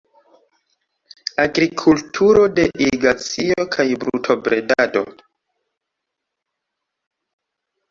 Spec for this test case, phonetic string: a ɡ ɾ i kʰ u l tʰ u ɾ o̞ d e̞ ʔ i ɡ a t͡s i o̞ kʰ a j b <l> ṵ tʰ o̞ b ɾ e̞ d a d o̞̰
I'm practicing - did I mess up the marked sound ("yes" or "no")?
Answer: yes